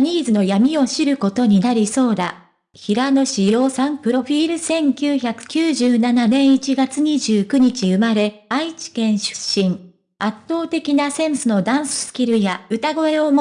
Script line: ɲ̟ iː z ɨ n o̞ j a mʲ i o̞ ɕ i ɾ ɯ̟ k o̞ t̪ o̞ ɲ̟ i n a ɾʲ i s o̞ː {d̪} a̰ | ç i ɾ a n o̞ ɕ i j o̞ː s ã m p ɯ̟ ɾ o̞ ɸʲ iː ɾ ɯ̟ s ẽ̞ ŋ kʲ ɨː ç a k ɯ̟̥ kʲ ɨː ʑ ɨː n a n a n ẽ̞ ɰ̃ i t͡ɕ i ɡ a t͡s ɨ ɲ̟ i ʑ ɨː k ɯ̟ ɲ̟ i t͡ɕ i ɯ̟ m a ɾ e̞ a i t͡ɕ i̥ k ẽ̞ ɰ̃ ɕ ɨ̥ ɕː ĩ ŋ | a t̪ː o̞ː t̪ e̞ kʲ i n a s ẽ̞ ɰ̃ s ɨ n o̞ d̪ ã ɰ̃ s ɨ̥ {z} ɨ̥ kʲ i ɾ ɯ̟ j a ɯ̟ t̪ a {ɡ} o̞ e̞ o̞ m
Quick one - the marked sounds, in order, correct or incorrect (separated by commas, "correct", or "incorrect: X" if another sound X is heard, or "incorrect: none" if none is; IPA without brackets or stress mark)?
correct, incorrect: s, correct